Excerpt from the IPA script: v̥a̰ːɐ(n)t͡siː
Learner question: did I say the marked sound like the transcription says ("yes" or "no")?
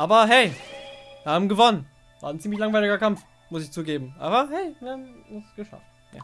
yes